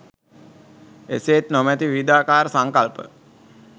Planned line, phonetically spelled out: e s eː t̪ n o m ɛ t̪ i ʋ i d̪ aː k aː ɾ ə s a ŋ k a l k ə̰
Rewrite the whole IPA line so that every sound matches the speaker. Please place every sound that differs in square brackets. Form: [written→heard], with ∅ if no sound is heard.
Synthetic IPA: e s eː t̪ n o m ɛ t̪ i ʋ i d̪ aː k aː ɾ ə s a ŋ k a l [k→p] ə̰